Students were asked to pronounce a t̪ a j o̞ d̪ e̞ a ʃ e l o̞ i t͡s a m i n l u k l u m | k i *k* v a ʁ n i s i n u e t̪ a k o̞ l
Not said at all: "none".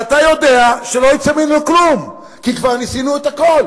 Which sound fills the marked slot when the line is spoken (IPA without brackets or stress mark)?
k